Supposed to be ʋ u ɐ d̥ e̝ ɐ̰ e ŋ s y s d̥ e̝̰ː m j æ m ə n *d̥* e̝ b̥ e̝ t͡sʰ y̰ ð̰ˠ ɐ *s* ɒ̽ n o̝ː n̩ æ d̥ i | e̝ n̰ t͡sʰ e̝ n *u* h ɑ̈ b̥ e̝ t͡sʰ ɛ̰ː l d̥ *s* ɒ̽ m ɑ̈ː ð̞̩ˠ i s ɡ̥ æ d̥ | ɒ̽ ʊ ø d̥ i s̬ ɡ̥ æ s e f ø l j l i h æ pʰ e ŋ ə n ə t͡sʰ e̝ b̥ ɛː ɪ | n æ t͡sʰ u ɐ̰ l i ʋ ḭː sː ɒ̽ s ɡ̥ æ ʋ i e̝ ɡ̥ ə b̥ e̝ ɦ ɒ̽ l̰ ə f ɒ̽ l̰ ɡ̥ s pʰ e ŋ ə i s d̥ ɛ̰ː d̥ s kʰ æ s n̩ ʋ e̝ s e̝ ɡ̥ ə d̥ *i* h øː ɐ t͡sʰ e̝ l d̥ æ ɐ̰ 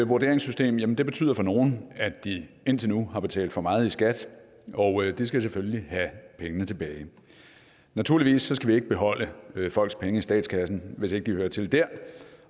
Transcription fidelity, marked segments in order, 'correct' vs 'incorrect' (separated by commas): correct, incorrect, correct, incorrect, correct